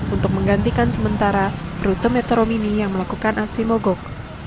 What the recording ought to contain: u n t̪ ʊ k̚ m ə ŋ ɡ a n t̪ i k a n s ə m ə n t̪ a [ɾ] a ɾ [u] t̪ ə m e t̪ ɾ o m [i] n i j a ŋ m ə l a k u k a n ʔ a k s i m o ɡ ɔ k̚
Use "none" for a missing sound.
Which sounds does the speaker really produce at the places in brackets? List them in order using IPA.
ɾ, u, i

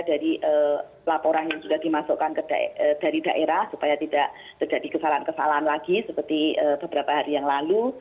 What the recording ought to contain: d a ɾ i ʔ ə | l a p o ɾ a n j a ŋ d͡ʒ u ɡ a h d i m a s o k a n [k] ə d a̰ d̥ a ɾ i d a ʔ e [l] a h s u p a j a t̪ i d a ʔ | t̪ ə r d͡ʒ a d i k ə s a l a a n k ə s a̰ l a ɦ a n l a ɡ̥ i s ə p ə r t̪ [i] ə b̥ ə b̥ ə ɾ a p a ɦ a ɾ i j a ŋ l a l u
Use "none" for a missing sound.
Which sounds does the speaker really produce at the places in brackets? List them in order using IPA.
k, ɾ, i

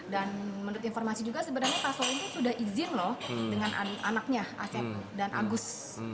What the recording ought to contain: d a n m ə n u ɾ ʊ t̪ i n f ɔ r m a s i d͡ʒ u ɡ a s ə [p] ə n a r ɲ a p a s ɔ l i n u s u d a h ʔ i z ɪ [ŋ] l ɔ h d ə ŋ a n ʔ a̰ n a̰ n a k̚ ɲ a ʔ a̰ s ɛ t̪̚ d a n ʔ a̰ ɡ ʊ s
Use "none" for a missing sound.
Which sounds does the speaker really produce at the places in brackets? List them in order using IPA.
b, n

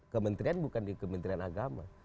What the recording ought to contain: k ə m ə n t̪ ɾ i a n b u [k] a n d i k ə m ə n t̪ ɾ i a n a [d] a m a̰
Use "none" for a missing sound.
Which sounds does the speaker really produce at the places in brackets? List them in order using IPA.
k, ɡ

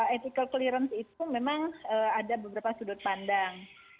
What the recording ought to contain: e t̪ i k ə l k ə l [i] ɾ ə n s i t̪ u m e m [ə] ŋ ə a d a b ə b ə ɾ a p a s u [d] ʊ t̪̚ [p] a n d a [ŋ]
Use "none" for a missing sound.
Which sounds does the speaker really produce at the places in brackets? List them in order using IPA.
i, a, d, p, ŋ

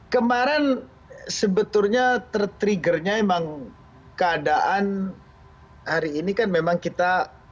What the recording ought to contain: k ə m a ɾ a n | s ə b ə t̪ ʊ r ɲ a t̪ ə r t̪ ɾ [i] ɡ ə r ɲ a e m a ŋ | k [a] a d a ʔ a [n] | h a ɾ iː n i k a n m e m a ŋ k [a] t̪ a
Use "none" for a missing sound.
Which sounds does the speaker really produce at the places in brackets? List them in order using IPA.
i, ə, n, i

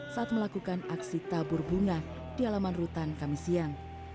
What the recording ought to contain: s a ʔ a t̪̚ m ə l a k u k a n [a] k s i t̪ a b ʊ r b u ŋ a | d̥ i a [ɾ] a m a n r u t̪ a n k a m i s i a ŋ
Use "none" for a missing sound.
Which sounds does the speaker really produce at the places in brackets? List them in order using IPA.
a, l

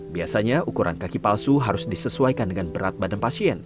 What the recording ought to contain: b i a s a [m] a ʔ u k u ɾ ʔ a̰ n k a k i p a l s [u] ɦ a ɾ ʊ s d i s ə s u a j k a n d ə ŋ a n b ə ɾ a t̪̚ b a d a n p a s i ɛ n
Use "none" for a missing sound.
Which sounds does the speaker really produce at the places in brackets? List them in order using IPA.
ɲ, u

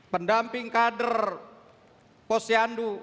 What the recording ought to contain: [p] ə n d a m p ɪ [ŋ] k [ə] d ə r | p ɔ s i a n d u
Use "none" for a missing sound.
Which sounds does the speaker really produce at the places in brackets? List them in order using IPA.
p, ŋ, a

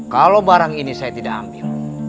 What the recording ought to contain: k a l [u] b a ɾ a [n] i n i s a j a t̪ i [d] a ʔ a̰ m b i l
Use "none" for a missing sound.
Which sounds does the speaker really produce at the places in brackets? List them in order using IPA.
o, ŋ, d

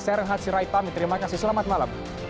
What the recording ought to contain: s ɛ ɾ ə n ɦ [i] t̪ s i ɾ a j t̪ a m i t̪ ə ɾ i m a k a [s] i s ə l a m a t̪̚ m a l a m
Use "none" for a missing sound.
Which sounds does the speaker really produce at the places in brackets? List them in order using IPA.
a, s

